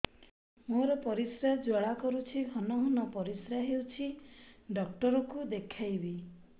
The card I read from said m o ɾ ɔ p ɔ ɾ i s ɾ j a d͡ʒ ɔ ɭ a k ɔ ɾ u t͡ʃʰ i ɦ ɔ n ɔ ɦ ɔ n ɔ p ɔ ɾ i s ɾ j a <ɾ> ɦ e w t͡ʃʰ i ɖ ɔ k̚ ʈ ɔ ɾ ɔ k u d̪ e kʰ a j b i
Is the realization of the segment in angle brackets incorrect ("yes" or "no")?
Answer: yes